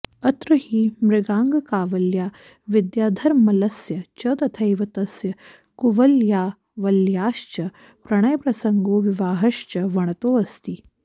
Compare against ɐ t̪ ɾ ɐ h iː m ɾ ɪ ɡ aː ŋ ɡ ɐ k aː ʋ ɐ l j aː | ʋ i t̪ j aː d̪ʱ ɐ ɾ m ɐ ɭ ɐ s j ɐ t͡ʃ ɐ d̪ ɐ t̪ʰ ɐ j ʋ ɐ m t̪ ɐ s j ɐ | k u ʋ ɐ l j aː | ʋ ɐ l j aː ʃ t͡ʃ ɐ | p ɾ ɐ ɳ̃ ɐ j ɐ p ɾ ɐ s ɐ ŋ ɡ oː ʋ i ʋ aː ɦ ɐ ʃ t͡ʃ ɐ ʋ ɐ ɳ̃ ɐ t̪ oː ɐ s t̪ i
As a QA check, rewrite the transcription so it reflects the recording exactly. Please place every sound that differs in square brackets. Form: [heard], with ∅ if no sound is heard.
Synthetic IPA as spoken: ɐ t̪ ɾ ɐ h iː m ɾ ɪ ɡ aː ŋ ɡ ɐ k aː ʋ ɐ l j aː | ʋ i [d̪] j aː d̪ʱ ɐ ɾ m ɐ [l] ɐ s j ɐ t͡ʃ ɐ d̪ ɐ t̪ʰ ɐ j ʋ ɐ [∅] t̪ ɐ s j ɐ | k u ʋ ɐ l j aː | ʋ ɐ l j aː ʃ t͡ʃ ɐ | p ɾ ɐ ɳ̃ ɐ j ɐ p ɾ ɐ s ɐ ŋ ɡ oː ʋ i ʋ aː ɦ ɐ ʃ t͡ʃ ɐ ʋ ɐ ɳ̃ ɐ t̪ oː ɐ s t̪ i